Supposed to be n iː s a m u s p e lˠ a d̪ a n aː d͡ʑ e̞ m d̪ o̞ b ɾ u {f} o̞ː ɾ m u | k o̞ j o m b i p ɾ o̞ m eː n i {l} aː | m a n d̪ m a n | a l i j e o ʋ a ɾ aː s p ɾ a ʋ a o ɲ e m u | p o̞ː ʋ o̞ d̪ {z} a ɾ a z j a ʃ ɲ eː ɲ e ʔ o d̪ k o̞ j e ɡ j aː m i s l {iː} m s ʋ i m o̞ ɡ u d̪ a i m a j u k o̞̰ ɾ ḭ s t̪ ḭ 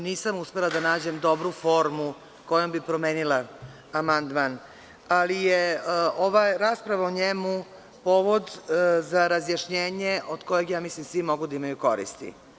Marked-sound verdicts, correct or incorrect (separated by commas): correct, correct, correct, incorrect